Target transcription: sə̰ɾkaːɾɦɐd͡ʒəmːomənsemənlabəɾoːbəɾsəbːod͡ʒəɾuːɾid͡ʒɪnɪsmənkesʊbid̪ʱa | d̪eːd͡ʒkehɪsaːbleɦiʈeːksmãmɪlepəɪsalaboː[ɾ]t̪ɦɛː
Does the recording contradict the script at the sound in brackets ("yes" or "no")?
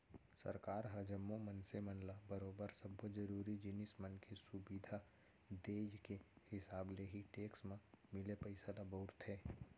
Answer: no